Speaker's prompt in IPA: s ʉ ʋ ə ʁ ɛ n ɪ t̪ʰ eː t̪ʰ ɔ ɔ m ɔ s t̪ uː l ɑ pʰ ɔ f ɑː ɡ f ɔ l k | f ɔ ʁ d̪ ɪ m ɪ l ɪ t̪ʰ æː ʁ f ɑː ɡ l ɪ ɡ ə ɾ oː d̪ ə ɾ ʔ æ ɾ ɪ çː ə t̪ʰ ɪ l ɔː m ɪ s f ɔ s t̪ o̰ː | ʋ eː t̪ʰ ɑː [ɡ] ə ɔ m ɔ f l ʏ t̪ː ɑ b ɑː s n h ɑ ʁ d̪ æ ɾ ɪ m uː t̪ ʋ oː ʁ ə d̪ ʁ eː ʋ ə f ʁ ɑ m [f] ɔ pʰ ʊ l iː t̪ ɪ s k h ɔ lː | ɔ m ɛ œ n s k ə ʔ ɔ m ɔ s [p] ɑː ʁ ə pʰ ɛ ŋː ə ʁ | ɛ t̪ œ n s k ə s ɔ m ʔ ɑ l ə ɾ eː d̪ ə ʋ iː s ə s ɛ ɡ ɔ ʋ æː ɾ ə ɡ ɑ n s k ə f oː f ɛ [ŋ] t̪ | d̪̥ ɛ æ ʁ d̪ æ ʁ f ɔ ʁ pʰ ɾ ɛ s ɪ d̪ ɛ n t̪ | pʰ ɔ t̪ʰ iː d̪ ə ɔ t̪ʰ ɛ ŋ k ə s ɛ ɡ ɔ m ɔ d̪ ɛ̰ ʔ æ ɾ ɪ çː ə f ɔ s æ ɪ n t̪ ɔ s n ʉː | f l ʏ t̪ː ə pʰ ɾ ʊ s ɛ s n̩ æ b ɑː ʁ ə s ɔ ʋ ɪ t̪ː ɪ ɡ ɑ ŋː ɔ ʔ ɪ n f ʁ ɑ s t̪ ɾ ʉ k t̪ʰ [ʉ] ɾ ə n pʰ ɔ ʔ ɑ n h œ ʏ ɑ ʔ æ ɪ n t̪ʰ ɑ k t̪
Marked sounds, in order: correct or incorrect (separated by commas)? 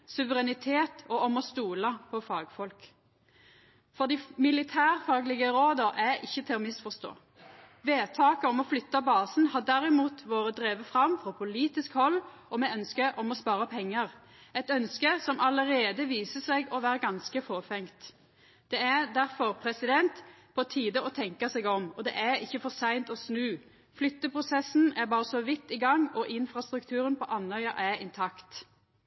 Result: incorrect, correct, correct, correct, incorrect